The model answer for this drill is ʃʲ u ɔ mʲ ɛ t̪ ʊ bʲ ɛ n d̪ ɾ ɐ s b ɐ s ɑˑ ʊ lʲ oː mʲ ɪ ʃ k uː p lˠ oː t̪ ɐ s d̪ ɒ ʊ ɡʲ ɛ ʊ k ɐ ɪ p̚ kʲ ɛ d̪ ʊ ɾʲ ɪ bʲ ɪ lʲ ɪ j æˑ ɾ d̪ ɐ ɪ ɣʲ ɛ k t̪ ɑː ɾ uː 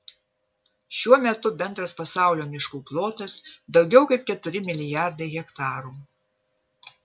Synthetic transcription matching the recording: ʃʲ u ɔ mʲ ɛ t̪ ʊ bʲ ɛ n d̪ ɾ ɐ s p ɐ s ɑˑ ʊ lʲ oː mʲ ɪ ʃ k uː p lˠ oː t̪ ɐ s d̪ ɒ ʊ ɡʲ ɛ ʊ k ɐ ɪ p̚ kʲ ɛ t̪ ʊ ɾʲ ɪ mʲ ɪ lʲ ɪ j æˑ ɾ d̪ ɐ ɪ ɣʲ ɛ k t̪ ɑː ɾ uː